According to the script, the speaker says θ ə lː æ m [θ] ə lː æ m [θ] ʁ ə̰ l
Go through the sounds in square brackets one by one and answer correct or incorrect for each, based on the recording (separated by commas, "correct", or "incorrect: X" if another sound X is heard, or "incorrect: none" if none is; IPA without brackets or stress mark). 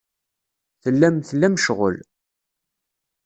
correct, incorrect: ʃ